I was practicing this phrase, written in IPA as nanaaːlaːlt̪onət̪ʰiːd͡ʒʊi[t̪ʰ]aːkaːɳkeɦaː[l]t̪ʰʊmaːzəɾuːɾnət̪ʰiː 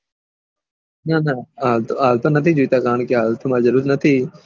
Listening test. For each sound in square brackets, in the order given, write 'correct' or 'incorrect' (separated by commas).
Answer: incorrect, correct